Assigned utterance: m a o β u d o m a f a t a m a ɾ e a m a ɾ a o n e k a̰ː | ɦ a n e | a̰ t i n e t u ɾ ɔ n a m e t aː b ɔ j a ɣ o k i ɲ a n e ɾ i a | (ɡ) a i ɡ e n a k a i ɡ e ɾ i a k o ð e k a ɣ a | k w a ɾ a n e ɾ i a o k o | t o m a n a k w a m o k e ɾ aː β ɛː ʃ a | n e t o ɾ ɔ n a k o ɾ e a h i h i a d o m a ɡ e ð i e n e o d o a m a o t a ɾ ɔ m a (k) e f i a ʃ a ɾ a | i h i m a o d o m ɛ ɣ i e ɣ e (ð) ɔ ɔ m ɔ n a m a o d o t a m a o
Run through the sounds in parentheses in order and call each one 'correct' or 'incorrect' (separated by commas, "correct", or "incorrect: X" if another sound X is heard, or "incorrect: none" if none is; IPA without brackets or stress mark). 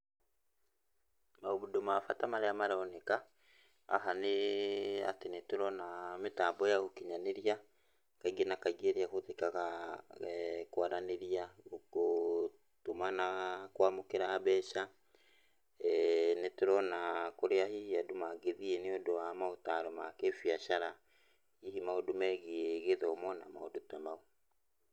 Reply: incorrect: k, correct, correct